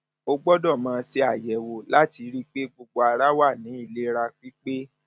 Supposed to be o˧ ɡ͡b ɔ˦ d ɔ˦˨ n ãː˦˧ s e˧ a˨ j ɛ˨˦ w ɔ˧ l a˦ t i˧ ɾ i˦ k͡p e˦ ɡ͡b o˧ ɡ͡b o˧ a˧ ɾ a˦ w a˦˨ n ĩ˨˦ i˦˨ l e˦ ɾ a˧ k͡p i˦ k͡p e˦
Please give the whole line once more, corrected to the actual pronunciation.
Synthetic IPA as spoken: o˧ ɡ͡b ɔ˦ d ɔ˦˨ m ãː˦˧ s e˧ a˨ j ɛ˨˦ w o˧ l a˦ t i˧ ɾ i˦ k͡p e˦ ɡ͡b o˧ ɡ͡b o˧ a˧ ɾ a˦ w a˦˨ n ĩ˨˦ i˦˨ l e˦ ɾ a˧ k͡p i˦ k͡p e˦